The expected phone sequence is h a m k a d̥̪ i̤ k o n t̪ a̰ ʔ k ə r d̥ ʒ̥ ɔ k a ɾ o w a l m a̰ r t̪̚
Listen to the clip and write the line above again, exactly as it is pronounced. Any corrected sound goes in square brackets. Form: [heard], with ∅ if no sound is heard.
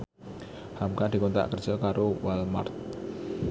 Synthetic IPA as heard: h a m k a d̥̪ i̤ k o n t̪ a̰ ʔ k ə r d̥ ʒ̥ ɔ k a ɾ o w a l m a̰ r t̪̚

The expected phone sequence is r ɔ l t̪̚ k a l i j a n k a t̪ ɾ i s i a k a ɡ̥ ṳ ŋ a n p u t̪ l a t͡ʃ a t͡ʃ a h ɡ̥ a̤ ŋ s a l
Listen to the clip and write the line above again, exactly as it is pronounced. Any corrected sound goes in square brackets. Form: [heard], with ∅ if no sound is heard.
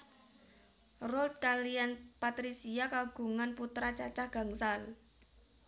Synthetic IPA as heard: r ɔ l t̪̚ k a l i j a n [p] a t̪ ɾ i s i a k a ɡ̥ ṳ ŋ a n p u t̪ [ɾ] a t͡ʃ a t͡ʃ a h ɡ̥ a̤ ŋ s a l

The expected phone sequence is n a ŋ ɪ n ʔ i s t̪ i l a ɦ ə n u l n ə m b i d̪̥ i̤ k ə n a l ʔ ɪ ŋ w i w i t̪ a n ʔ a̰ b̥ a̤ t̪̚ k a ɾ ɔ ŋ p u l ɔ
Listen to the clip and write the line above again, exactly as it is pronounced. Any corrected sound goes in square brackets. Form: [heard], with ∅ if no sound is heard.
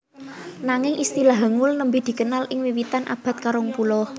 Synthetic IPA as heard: n a ŋ ɪ [ŋ] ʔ i s t̪ i l a ɦ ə [ŋ] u l n ə m b i d̪̥ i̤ k ə n a l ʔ ɪ ŋ w i w i t̪ a n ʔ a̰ b̥ a̤ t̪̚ k a ɾ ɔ ŋ p u l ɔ

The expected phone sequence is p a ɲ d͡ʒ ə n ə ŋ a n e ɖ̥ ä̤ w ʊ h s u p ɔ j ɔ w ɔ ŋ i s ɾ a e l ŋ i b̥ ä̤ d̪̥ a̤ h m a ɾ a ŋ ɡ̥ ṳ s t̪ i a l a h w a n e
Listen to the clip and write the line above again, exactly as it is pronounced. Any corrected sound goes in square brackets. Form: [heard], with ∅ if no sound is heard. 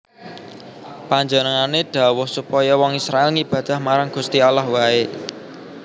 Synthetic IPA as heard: p a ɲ d͡ʒ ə n ə ŋ a n e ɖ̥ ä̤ w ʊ h s u p ɔ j ɔ w ɔ ŋ i s ɾ a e l ŋ i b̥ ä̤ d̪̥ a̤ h m a ɾ a ŋ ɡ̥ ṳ s t̪ i a l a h w a [∅] e

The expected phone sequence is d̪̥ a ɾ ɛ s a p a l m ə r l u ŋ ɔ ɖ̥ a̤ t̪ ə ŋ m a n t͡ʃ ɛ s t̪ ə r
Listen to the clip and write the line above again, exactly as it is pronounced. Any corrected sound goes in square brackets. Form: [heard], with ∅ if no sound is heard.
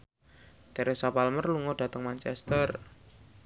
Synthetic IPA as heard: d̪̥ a ɾ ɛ s a p a l m ə r l u ŋ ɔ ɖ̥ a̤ t̪ ə ŋ m a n t͡ʃ ɛ s t̪ ə r

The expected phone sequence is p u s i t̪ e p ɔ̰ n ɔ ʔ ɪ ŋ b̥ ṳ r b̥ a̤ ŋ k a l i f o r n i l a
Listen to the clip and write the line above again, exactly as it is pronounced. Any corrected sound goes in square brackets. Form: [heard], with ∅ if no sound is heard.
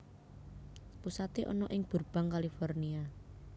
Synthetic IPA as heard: p u s [a] t̪ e [ʔ] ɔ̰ n ɔ ʔ ɪ ŋ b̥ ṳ r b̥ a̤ ŋ k a l i f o r n i [∅] a

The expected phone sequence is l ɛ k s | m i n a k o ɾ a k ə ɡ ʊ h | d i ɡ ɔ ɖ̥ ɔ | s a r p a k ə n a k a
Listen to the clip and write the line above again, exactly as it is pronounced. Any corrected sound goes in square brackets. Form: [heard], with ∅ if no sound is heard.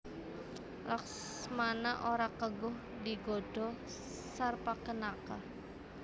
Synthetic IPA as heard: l [a] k s | m [a] n a [ʔ] o ɾ a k ə ɡ ʊ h | d i ɡ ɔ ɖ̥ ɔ | s a r p a k ə n a k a

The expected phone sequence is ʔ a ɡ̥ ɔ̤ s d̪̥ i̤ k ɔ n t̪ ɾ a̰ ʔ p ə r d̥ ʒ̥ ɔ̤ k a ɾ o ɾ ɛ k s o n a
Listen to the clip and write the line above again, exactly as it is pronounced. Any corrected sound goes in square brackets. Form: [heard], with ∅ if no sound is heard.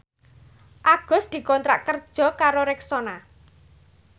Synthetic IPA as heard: ʔ a ɡ̥ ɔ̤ s d̪̥ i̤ k ɔ n t̪ ɾ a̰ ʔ [k] ə r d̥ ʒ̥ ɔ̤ k a ɾ o ɾ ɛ k s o n a

